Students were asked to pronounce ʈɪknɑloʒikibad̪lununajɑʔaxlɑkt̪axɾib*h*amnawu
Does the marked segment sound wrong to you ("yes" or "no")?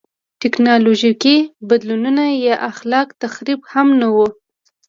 no